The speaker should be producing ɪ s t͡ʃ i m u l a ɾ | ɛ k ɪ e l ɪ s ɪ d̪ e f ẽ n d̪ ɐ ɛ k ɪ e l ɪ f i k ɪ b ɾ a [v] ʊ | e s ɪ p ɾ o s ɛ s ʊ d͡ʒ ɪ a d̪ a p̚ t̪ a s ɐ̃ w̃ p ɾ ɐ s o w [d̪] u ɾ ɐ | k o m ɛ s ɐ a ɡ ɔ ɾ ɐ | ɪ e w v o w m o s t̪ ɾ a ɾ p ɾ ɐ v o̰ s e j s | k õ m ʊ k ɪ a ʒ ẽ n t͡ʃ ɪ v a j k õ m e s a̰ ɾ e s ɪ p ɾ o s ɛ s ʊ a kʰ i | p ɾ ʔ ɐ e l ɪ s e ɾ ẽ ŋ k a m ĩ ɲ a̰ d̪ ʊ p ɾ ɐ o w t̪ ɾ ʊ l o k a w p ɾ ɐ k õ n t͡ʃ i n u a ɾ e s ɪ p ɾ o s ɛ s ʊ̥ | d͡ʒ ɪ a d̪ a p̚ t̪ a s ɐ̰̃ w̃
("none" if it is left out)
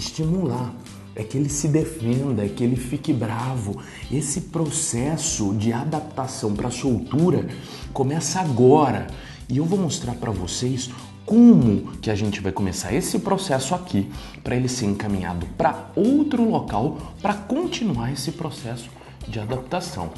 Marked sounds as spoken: v, t̪

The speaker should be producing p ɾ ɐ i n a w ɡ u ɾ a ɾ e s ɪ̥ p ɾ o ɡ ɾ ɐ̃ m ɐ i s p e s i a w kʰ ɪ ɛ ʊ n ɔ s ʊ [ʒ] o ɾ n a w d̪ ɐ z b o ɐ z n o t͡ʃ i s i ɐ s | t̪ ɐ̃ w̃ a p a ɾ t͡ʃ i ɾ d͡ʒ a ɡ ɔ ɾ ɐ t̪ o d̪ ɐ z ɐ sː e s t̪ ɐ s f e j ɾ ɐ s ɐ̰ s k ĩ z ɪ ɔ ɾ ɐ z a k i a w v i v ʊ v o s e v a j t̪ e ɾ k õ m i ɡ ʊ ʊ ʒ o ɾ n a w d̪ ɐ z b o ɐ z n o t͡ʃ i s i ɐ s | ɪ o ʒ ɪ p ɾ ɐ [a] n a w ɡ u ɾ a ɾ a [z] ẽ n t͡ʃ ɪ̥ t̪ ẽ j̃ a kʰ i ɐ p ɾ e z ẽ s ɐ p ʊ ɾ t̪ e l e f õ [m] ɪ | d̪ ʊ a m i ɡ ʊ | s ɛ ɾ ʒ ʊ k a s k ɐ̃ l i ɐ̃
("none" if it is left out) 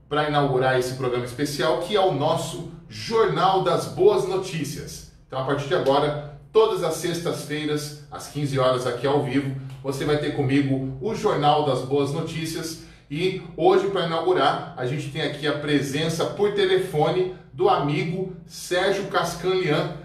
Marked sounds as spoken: ʒ, i, ʒ, n

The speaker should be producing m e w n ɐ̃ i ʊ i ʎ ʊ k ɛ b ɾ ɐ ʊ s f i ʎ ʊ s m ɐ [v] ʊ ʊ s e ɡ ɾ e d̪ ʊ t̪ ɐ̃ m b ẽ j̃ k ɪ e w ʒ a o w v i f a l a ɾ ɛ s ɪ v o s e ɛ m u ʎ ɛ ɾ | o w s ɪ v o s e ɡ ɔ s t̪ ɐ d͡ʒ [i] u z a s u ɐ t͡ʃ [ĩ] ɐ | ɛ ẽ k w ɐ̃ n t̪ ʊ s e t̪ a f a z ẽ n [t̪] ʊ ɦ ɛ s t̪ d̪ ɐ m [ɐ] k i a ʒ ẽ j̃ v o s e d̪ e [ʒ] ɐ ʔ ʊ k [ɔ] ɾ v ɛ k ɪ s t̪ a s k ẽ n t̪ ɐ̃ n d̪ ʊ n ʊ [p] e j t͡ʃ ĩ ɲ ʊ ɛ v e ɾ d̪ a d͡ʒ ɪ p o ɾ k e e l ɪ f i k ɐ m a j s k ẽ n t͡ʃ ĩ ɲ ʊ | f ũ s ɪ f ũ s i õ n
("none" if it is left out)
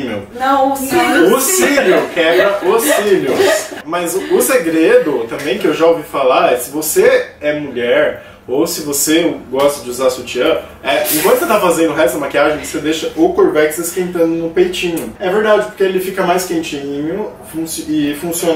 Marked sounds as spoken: z, ɪ, i, d̪, a, ʃ, o, p

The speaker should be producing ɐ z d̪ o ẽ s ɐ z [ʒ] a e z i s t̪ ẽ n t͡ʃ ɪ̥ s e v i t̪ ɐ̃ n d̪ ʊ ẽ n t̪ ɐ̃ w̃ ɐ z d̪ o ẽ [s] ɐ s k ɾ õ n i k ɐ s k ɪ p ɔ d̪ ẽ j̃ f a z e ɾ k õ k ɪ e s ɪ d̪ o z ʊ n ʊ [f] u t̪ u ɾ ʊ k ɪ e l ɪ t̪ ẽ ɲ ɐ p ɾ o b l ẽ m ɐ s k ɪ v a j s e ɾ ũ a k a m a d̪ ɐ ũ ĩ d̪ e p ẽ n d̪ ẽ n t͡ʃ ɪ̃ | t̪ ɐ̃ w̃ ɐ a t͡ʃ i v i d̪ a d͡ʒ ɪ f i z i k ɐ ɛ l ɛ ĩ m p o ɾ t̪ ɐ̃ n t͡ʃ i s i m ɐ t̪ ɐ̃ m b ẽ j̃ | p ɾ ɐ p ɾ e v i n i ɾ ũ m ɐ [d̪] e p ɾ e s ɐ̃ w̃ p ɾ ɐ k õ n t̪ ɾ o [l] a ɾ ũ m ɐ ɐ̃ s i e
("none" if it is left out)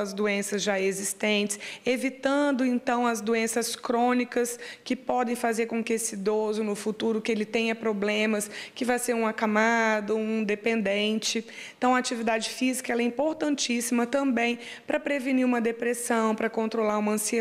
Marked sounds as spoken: ʒ, s, f, d̪, l

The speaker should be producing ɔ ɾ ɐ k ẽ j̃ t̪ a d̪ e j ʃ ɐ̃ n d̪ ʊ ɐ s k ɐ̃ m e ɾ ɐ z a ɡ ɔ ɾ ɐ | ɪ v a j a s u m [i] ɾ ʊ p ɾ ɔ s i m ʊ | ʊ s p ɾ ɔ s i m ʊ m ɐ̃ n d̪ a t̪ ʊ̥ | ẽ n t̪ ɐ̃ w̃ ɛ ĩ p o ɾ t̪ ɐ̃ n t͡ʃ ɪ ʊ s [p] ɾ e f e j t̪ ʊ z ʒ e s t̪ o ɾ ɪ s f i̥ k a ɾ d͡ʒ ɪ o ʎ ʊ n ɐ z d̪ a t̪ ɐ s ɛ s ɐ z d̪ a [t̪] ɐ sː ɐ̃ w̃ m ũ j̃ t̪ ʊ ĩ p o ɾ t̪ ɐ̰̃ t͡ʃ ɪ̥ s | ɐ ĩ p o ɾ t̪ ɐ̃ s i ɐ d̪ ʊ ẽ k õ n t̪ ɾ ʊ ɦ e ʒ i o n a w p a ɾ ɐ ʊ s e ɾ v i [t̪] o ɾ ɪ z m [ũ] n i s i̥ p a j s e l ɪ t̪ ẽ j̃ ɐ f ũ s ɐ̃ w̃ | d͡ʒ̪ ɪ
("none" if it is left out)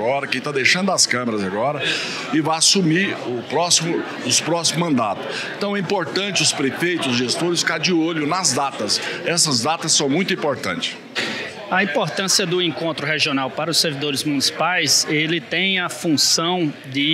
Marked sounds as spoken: i, p, t̪, d̪, u

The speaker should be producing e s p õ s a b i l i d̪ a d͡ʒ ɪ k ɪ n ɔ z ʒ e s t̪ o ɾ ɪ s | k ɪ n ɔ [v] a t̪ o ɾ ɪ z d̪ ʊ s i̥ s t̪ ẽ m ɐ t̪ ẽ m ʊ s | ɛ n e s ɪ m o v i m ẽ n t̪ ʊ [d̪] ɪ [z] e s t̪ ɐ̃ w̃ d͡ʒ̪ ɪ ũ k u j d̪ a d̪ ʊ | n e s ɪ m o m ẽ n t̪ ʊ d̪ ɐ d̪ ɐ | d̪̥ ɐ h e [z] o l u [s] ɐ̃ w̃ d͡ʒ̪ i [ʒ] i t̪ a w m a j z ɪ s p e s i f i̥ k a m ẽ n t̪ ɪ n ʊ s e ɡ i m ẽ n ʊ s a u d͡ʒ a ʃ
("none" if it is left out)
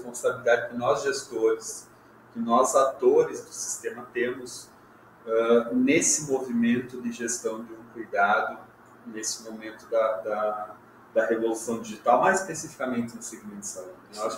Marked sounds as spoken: z, d̪, ʒ, v, s, ʒ

